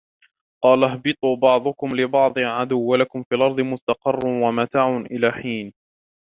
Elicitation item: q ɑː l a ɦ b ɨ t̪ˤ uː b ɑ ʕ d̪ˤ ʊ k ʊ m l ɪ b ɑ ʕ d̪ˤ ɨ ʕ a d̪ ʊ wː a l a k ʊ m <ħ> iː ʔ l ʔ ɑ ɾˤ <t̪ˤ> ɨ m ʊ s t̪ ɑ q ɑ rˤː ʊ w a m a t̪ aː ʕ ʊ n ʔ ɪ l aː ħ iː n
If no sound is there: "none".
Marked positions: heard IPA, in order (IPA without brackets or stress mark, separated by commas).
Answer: f, d̪ˤ